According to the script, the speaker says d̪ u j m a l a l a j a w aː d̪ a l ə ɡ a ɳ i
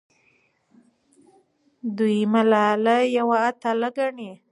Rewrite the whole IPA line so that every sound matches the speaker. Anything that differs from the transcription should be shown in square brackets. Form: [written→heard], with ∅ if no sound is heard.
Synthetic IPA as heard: d̪ u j m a l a l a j a w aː [d̪→t̪] a l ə ɡ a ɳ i